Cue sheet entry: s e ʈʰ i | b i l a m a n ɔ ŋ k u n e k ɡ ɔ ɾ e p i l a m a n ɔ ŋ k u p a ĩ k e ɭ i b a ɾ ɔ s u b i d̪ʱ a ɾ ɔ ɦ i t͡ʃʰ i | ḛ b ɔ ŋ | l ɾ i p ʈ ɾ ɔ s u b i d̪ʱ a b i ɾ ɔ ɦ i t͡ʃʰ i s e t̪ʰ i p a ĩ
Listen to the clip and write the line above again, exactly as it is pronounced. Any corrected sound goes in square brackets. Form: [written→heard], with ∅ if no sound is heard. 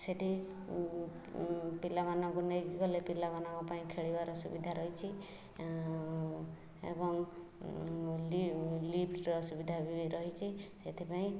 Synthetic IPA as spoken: s e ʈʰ i | [b→p] i l a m a n ɔ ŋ k u n e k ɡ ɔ [ɾ→l] e p i l a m a n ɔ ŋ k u p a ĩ [k→kʰ] e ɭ i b a ɾ ɔ s u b i d̪ʱ a ɾ ɔ ɦ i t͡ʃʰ i | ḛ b ɔ ŋ | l [ɾ→l] i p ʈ ɾ ɔ s u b i d̪ʱ a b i ɾ ɔ ɦ i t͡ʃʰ i s e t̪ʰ i p a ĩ